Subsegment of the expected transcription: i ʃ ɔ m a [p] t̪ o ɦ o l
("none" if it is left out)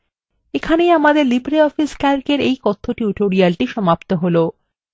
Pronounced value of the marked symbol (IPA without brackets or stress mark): p